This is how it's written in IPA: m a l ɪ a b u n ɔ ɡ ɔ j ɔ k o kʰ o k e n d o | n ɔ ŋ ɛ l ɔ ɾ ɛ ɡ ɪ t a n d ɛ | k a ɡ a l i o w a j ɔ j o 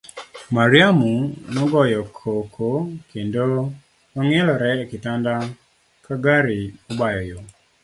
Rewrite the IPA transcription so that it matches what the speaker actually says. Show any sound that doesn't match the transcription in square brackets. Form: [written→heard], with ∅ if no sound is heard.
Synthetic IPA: m a [l→ɾ] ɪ a [b→m] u n ɔ ɡ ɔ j ɔ [k→kʰ] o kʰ o k e n d o | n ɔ ŋ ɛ l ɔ ɾ ɛ [ɡ→k] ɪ t a n d [ɛ→a] | k a ɡ a [l→ɾ] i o [w→b] a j ɔ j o